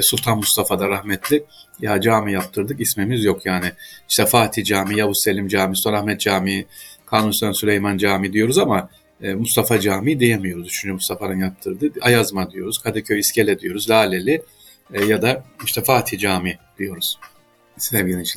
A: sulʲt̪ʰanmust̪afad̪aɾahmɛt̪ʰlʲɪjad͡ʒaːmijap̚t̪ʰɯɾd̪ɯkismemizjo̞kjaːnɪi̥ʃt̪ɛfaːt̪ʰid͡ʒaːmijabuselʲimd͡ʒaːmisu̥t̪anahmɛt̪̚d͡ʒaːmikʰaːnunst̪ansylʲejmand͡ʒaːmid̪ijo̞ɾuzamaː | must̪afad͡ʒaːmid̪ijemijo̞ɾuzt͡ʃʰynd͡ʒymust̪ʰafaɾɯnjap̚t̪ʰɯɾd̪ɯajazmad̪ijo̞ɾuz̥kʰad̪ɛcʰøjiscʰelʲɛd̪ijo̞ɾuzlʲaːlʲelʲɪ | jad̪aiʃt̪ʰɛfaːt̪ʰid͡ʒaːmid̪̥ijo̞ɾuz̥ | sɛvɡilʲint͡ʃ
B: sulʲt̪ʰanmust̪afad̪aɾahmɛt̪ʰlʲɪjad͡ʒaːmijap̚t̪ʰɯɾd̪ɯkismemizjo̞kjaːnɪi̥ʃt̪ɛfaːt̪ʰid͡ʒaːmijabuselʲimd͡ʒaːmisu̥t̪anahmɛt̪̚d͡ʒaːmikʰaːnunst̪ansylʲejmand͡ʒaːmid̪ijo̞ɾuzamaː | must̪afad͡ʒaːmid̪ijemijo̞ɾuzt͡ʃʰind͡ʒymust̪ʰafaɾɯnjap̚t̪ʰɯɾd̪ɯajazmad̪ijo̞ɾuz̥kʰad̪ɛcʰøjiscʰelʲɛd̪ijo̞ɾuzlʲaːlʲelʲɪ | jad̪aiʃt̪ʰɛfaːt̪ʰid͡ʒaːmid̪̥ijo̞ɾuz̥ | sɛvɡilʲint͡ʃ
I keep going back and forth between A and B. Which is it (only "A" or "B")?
A